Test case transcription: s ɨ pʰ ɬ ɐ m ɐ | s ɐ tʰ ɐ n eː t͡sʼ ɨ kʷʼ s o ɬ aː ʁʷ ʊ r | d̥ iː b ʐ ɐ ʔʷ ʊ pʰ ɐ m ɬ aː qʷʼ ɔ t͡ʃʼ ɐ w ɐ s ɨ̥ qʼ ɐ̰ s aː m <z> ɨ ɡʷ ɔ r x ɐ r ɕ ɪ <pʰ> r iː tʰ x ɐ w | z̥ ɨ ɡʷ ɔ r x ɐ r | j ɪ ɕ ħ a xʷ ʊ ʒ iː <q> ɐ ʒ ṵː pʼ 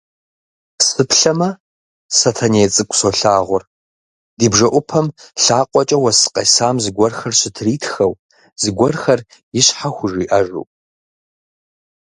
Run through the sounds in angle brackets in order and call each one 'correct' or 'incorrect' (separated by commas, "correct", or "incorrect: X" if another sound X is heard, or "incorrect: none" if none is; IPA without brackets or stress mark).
correct, incorrect: tʰ, incorrect: ʔ